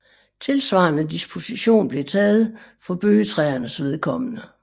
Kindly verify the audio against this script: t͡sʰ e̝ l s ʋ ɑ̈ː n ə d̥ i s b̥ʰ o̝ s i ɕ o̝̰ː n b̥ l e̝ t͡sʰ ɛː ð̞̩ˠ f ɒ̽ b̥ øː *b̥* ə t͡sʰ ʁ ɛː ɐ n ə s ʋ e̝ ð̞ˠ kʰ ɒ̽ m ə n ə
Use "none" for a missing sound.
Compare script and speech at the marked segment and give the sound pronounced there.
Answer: none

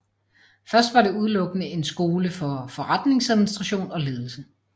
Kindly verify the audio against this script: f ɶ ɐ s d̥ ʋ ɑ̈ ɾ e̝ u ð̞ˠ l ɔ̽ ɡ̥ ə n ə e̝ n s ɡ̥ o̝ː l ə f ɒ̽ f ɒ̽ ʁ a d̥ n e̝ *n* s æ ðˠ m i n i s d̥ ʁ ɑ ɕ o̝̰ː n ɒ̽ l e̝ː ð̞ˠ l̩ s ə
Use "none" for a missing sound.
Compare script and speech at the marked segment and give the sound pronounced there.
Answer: ŋ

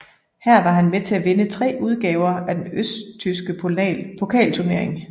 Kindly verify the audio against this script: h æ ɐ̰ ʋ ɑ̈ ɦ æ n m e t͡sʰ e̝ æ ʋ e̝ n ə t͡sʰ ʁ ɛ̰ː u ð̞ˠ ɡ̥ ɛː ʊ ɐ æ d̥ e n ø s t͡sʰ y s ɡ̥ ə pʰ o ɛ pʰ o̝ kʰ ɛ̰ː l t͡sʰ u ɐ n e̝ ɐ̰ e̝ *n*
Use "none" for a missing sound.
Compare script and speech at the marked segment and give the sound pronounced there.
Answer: ŋ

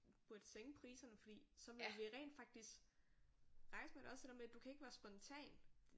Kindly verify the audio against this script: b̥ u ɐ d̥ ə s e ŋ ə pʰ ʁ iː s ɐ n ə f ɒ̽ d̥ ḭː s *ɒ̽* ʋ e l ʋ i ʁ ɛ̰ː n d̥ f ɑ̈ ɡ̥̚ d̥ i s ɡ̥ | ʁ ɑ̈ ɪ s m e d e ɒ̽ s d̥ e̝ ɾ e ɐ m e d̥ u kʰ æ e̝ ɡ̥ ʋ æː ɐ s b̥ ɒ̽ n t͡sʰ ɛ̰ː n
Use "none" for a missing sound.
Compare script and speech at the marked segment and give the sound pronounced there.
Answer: ɒ̽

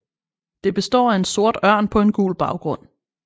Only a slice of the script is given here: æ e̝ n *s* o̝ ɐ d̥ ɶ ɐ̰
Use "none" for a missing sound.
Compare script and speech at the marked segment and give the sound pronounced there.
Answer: s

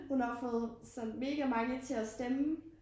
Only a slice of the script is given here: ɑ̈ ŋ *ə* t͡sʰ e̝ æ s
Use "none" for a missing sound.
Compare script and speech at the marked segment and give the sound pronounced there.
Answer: ə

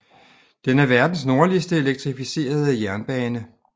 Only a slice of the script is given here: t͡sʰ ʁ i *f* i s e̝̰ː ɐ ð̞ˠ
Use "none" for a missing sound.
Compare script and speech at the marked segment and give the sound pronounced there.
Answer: f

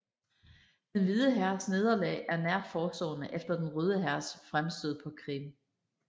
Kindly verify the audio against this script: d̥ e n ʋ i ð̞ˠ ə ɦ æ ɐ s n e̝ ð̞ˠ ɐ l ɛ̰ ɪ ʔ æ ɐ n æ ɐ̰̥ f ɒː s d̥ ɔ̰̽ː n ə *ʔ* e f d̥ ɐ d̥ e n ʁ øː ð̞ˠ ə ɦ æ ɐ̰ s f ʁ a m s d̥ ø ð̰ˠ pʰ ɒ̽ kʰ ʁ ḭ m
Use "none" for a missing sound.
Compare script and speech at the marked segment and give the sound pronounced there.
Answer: ʔ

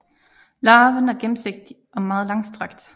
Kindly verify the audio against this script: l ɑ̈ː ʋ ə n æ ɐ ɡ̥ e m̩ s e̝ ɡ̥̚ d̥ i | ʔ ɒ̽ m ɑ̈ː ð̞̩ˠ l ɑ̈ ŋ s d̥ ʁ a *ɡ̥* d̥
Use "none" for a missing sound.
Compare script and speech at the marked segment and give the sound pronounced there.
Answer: ɡ̥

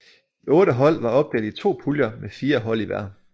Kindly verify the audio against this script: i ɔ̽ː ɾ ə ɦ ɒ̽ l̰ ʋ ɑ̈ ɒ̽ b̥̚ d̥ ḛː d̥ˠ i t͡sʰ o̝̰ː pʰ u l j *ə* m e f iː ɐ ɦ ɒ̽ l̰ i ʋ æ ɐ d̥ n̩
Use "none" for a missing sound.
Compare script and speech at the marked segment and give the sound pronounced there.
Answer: ɐ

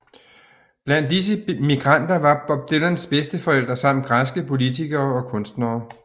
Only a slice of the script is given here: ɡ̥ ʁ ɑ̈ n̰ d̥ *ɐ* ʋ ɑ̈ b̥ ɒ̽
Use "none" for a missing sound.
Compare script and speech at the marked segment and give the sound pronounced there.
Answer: ɐ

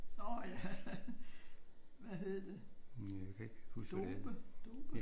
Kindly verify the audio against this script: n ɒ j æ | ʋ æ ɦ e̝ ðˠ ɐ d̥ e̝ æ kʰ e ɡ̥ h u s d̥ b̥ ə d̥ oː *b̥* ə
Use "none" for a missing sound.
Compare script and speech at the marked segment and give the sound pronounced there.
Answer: b̥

